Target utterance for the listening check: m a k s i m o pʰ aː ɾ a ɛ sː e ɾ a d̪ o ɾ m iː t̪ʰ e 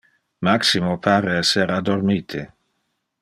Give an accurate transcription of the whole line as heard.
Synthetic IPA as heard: m a k s i m o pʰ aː ɾ e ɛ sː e ɾ a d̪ o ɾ m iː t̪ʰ e